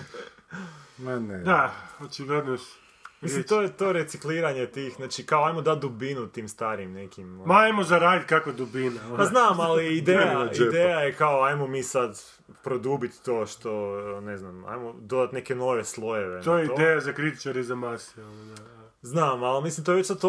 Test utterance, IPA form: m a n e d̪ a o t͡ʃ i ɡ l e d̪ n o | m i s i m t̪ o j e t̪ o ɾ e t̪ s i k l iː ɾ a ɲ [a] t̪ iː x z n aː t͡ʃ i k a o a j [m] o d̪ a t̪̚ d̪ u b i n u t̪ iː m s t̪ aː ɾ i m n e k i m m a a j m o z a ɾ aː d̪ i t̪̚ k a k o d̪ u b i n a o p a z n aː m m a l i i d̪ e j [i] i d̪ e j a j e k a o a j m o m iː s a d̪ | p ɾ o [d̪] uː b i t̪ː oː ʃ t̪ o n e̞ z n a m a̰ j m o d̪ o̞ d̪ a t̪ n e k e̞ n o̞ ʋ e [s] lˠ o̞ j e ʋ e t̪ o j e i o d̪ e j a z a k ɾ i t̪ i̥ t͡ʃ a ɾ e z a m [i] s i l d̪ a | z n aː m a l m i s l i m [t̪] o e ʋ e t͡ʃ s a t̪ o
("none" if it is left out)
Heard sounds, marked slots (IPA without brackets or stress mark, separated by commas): e, m, a, d̪, s, a, t̪